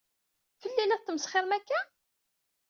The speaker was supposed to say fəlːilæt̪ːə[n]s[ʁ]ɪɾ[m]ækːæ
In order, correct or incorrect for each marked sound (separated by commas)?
incorrect, incorrect, correct